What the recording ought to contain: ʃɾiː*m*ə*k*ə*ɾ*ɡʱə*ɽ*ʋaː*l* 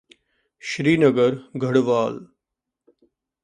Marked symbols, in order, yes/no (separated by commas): no, no, yes, yes, yes